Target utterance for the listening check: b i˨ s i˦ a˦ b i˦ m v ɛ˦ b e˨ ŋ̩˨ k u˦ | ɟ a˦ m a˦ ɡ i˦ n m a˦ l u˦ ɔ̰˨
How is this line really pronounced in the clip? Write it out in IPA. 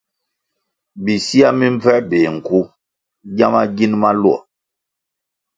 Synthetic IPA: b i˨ s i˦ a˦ m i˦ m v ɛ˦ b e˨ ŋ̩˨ k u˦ | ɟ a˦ m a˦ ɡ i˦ n m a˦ l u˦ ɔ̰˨